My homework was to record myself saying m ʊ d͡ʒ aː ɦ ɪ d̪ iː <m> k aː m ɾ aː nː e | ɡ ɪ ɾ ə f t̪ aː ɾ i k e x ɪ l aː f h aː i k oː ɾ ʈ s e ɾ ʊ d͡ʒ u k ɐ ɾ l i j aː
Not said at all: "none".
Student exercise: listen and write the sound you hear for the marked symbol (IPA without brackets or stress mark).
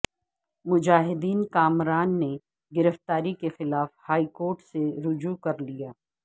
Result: n